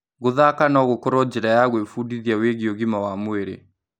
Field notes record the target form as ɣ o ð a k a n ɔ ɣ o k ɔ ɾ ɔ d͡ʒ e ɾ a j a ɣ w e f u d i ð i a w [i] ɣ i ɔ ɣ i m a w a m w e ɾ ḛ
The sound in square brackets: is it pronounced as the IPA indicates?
no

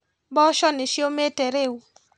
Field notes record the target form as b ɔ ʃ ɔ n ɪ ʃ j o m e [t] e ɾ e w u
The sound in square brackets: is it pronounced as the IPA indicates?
yes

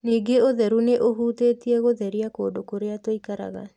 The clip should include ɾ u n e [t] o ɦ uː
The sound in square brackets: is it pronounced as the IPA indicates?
no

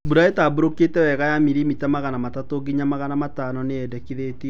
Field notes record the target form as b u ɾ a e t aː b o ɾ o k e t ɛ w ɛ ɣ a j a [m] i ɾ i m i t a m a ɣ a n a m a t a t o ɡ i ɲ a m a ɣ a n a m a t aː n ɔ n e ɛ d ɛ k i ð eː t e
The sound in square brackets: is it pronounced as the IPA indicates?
yes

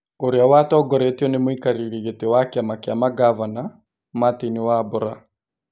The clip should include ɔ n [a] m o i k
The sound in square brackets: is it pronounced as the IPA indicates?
no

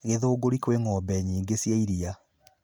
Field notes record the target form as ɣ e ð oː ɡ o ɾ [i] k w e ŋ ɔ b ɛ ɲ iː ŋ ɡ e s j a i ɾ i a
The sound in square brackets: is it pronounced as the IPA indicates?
yes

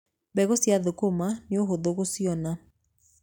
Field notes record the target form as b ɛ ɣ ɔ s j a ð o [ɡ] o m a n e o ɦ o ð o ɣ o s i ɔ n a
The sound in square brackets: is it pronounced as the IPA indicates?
no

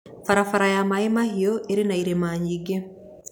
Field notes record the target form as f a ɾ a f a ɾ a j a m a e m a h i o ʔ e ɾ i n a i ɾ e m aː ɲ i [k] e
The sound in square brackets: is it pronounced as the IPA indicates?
no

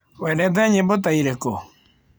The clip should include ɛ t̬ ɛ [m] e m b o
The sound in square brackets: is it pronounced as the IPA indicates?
no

